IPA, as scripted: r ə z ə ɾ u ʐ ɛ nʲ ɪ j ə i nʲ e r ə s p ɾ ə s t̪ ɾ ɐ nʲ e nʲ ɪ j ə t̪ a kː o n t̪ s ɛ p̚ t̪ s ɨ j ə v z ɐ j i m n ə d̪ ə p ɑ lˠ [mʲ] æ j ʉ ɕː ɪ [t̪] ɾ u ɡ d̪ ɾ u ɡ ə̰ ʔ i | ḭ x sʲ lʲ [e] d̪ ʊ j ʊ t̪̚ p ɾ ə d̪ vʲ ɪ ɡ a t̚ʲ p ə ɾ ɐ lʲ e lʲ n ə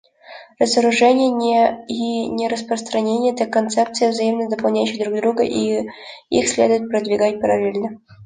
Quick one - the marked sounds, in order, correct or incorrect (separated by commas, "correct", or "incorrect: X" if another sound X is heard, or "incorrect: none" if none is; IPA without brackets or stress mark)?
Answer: incorrect: nʲ, incorrect: d̪, correct